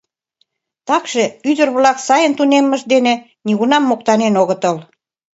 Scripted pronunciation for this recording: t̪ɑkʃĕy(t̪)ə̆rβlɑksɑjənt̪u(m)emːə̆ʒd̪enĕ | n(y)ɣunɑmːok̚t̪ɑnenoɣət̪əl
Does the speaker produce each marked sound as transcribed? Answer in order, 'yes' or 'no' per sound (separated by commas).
no, no, no